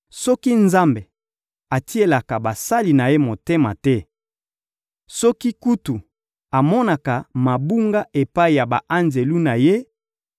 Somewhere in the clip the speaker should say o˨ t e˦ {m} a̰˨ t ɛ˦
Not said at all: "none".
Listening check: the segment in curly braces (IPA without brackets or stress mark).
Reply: m